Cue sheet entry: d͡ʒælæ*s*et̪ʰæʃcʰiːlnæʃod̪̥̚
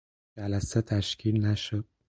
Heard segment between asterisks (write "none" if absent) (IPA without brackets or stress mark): s